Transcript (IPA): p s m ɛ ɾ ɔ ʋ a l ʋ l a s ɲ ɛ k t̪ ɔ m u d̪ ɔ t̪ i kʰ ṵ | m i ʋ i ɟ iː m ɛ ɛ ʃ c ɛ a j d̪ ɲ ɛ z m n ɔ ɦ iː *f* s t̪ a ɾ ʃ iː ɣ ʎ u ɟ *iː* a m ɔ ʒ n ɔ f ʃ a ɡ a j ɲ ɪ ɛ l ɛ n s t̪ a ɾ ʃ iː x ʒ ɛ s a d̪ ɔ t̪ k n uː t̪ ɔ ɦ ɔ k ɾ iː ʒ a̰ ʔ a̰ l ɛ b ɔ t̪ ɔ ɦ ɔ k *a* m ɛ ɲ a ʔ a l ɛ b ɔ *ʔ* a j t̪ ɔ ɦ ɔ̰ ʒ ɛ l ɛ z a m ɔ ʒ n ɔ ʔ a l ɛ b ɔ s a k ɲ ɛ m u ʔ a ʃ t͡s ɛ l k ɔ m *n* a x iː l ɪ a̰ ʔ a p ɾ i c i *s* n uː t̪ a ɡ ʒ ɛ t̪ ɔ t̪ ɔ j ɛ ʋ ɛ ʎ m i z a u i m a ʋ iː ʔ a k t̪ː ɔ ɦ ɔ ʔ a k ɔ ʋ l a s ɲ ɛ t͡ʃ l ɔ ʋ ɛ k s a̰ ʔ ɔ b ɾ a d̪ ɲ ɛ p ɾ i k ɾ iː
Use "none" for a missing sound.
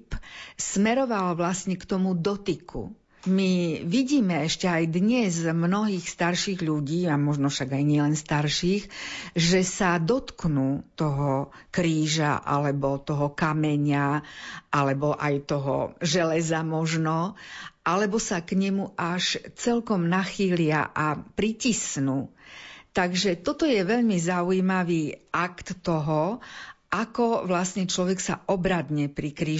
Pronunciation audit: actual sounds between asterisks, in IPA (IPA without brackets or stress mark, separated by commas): x, iː, a, ʔ, n, s